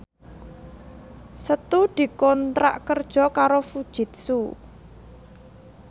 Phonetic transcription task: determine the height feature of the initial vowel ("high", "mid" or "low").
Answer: mid